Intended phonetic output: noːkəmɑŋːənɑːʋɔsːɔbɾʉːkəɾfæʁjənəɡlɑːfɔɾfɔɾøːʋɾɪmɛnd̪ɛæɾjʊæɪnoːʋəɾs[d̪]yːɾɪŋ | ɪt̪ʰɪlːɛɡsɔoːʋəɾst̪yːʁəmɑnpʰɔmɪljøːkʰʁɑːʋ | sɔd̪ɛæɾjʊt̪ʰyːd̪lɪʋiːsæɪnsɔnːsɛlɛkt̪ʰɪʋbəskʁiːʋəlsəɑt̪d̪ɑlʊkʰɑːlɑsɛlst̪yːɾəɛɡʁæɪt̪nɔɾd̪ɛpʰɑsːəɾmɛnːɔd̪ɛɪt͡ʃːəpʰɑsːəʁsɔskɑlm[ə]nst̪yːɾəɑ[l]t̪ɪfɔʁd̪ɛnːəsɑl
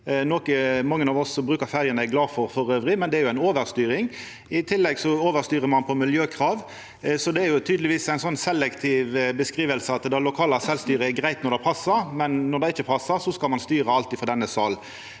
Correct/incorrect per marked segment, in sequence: incorrect, incorrect, correct

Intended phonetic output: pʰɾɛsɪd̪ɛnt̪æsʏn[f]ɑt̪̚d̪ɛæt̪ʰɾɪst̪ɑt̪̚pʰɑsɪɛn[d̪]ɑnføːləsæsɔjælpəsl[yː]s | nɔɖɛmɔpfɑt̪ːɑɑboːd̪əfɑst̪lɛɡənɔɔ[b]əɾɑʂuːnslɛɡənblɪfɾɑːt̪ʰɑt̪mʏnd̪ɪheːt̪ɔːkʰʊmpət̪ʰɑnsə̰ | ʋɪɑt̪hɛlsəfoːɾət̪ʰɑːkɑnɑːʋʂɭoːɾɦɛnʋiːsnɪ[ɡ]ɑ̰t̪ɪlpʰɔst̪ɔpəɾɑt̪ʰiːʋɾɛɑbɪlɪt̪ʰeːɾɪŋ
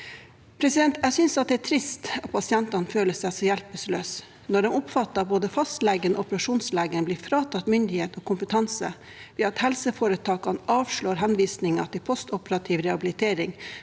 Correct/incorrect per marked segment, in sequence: incorrect, incorrect, incorrect, incorrect, incorrect

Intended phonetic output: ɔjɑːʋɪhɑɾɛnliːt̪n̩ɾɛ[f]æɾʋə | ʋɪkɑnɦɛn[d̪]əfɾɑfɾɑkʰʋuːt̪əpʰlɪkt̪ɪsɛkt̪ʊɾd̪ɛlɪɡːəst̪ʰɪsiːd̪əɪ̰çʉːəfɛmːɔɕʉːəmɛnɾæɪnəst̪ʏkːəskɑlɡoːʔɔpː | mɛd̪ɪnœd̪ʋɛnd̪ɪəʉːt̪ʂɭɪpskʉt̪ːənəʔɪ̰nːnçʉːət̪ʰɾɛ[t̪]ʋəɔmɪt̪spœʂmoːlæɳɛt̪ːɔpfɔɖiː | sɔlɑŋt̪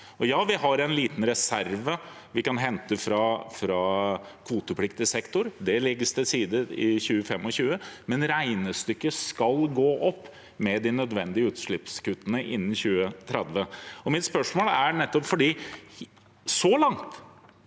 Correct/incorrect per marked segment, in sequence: incorrect, incorrect, incorrect

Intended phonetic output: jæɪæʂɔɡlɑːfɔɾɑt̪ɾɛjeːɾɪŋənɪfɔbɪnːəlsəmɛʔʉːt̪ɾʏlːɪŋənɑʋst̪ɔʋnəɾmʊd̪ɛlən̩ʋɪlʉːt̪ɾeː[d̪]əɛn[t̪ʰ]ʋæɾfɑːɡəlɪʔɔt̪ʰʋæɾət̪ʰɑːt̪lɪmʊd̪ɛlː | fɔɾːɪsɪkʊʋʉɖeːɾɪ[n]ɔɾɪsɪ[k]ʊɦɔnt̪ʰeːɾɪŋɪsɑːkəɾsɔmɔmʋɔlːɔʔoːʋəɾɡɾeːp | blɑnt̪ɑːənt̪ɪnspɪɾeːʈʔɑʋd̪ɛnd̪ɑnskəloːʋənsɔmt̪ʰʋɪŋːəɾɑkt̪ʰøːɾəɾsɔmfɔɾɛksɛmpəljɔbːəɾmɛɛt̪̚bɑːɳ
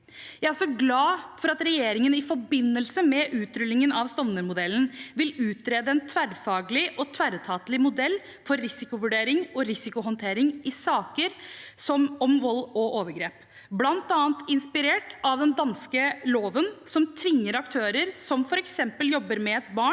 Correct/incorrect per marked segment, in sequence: correct, correct, incorrect, correct

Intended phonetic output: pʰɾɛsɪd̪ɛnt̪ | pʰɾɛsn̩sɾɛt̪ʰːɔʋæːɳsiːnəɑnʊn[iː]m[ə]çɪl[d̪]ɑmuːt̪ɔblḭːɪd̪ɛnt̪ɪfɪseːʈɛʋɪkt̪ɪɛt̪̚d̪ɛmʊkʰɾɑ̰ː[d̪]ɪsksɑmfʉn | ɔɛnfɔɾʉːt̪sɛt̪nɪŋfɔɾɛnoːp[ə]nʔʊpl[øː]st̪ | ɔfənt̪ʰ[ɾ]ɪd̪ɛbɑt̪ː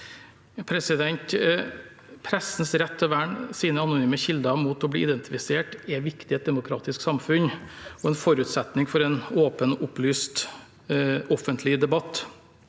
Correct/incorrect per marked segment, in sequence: incorrect, correct, correct, incorrect, correct, incorrect, incorrect

